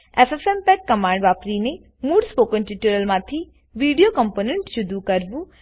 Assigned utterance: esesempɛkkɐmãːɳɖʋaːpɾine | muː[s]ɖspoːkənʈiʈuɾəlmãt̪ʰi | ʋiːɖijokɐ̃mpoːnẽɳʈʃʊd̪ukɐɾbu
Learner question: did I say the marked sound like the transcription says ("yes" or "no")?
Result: no